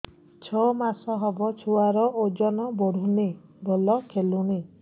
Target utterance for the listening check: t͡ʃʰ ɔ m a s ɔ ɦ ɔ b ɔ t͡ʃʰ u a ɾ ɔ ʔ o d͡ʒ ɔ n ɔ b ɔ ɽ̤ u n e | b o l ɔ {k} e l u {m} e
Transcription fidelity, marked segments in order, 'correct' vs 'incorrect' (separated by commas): incorrect, incorrect